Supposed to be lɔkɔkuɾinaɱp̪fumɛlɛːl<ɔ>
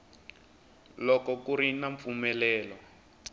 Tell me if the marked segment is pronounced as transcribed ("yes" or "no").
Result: yes